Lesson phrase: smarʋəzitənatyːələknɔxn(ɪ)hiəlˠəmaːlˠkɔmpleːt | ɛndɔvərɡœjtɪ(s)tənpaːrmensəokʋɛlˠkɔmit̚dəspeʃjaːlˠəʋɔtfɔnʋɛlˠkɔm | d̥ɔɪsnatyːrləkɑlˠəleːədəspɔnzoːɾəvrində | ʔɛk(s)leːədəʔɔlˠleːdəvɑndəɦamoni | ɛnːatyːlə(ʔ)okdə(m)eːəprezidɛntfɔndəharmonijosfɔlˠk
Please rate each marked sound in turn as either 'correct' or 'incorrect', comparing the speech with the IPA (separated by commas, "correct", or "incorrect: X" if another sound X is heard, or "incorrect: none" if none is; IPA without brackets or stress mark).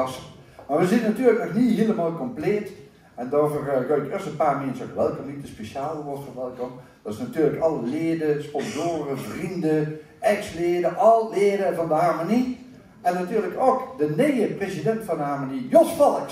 incorrect: i, correct, correct, incorrect: k, incorrect: n